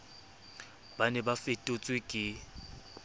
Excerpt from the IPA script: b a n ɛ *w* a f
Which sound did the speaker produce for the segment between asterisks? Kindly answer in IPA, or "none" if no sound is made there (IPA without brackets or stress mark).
b